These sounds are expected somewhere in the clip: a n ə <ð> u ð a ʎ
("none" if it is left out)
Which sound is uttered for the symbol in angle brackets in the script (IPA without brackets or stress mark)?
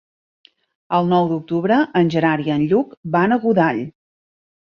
ɣ